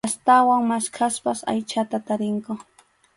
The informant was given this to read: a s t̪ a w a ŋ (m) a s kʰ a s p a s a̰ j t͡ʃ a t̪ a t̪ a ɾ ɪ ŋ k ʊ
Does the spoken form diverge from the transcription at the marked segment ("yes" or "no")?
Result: no